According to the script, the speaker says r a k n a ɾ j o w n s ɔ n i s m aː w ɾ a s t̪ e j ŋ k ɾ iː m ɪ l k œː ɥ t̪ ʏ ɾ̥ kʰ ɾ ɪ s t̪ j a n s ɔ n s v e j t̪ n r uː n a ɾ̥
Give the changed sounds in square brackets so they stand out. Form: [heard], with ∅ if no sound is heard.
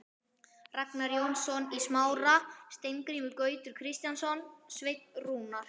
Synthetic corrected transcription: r a k n a ɾ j o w n s ɔ n i s m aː w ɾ a s t̪ e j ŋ k ɾ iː m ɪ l k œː ɥ t̪ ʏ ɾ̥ kʰ ɾ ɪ s t̪ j a n s ɔ n s v e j t̪ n r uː n a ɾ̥